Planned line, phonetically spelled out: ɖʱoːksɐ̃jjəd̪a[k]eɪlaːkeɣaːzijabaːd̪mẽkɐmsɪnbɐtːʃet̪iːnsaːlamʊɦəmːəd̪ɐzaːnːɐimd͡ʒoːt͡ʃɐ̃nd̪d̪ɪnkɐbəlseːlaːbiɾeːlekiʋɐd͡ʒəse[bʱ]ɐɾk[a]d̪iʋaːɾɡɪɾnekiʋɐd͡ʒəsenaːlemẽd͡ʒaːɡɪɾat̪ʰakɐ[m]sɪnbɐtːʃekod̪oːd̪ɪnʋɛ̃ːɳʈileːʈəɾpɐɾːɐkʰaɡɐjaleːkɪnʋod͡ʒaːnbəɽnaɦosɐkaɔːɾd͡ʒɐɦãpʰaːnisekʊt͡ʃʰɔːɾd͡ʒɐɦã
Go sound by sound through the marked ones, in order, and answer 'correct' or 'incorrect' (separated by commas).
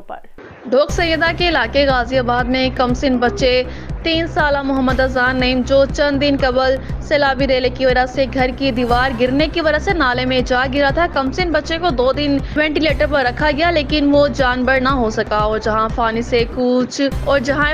correct, incorrect, incorrect, correct